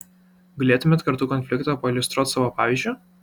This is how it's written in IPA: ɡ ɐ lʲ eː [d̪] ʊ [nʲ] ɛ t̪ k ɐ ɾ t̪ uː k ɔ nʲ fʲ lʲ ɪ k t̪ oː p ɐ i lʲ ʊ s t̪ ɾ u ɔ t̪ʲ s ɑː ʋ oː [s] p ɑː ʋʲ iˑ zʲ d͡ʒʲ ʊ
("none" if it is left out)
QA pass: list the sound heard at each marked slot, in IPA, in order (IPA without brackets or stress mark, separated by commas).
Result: t̪, mʲ, none